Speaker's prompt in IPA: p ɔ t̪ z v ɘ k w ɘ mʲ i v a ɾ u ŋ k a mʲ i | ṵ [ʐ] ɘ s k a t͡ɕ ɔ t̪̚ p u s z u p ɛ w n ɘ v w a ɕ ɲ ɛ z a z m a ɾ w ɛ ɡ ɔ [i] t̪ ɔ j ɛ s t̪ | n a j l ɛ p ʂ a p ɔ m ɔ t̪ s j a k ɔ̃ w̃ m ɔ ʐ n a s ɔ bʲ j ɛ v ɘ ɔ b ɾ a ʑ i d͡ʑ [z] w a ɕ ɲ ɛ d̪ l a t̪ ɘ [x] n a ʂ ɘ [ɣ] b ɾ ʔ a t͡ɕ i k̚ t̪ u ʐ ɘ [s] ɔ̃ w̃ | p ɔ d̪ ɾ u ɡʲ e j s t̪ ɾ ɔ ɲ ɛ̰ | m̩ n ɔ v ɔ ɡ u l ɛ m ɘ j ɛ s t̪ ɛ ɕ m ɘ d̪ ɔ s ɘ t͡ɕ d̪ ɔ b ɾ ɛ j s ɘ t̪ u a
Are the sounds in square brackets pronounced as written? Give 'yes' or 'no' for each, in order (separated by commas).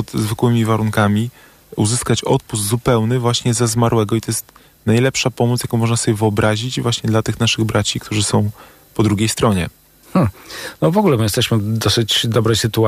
no, yes, no, yes, yes, yes